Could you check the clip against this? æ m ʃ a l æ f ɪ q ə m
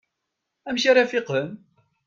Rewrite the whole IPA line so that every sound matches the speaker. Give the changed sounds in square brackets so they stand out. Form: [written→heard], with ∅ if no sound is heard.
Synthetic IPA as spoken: æ m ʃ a [l→ɾ] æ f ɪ q ə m